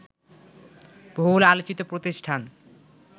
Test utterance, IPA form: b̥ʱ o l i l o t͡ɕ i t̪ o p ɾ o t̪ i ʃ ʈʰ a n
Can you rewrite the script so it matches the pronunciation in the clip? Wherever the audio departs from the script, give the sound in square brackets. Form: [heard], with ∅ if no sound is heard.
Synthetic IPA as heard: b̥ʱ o l [a] l o t͡ɕ i t̪ o p ɾ o t̪ i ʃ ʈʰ a n